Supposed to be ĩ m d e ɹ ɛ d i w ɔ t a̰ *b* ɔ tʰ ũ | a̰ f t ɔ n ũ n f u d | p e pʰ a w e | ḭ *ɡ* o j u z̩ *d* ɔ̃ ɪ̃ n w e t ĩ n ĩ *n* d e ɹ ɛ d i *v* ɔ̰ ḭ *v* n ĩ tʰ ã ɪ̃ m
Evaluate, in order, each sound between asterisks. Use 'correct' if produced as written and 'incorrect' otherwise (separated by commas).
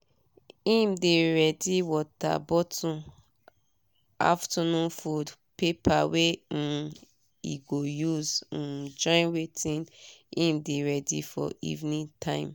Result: correct, correct, incorrect, incorrect, incorrect, correct